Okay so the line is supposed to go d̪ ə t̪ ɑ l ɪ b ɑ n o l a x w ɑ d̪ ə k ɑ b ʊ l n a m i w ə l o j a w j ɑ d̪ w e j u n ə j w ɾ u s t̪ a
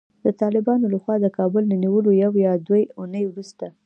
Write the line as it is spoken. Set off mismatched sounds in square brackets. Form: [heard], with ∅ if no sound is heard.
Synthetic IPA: d̪ ə t̪ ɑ l ɪ b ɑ n o l a x w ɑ d̪ ə k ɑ b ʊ l n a [n] i w ə l o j a w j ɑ d̪ w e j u n ə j w ɾ u s t̪ a